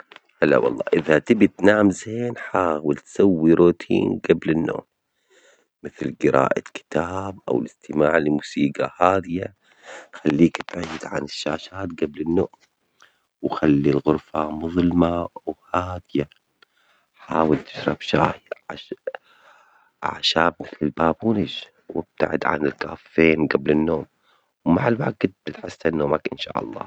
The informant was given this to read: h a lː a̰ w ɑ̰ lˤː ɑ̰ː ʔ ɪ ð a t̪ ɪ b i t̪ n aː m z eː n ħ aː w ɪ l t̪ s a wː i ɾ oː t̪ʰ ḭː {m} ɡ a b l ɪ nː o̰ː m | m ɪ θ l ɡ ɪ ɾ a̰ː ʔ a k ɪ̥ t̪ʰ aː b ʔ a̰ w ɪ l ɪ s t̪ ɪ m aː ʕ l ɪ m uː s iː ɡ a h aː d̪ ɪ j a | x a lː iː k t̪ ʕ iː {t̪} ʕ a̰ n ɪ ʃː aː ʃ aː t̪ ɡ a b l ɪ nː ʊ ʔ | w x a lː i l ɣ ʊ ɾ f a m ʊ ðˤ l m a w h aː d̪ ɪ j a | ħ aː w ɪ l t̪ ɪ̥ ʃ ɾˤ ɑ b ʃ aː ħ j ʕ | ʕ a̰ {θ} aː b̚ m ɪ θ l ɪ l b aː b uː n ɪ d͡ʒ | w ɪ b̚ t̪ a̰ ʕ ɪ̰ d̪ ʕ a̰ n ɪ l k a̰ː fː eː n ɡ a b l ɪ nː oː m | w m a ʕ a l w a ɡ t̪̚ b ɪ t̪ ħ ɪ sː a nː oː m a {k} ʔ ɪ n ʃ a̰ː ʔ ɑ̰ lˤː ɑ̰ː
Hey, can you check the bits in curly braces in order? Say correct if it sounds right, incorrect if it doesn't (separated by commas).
incorrect, incorrect, incorrect, correct